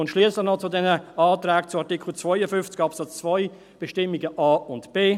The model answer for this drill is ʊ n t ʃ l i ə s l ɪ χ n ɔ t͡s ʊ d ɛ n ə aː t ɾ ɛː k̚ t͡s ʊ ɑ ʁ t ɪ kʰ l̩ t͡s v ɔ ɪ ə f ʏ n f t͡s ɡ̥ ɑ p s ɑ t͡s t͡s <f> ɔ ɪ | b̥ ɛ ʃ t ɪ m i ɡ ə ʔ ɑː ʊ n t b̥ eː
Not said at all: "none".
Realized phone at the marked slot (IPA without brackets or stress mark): v